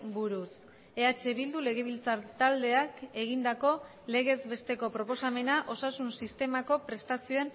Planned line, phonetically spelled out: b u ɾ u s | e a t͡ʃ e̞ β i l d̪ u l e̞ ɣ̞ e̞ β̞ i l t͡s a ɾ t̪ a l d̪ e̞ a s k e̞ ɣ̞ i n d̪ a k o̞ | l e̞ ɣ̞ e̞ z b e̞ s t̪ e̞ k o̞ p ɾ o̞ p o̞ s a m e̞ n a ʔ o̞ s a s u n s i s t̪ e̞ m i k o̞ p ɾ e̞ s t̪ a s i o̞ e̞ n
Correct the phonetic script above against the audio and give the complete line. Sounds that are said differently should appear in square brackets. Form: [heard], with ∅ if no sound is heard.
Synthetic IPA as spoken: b u ɾ u s | e a t͡ʃ e̞ β i l d̪ u l e̞ ɣ̞ e̞ β̞ i l t͡s a ɾ t̪ a l d̪ e̞ a [∅] k e̞ ɣ̞ i n d̪ a k o̞ | l e̞ ɣ̞ e̞ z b e̞ s t̪ e̞ k o̞ p ɾ o̞ p o̞ s a m e̞ n a ʔ o̞ s a s u n s i s t̪ e̞ m [a] k o̞ p ɾ e̞ s t̪ a s i o̞ e̞ n